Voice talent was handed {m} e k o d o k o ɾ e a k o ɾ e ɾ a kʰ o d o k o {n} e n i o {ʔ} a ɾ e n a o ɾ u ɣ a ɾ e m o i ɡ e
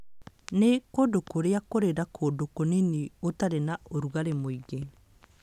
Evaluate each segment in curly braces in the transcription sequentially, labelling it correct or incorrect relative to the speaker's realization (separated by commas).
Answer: incorrect, correct, incorrect